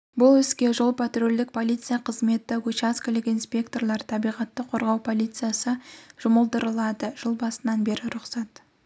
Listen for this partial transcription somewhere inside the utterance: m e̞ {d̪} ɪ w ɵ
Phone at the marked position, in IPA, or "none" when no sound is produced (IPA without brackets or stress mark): t̪